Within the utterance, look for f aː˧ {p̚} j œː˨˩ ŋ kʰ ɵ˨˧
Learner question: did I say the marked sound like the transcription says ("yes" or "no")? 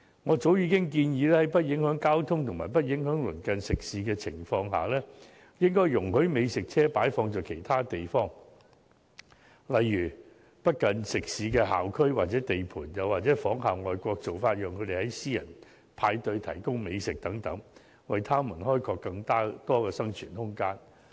no